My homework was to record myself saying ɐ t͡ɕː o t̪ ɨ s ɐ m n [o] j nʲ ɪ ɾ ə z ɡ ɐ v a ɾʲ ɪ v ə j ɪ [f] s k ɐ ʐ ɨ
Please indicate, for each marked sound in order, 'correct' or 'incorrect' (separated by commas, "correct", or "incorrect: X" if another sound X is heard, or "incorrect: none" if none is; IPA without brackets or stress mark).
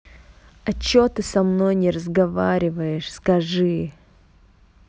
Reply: correct, incorrect: ʂ